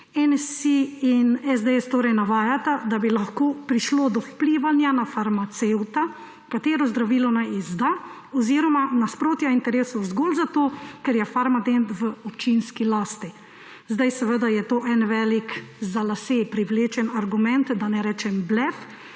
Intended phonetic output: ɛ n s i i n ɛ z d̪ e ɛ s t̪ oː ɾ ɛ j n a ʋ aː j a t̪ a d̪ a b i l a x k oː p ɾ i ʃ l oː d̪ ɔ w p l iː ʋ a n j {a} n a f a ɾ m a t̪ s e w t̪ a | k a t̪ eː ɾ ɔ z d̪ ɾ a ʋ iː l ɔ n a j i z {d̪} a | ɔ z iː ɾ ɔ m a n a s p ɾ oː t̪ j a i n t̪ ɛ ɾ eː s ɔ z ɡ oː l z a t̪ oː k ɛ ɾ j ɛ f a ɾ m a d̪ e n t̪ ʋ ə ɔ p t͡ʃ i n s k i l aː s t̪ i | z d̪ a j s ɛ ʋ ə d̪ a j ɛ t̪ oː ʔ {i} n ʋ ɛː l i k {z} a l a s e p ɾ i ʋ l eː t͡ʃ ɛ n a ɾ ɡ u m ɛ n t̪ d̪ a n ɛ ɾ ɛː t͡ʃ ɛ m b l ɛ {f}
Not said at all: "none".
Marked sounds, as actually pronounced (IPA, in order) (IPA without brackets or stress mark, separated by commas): a, d̪, ɛ, z, f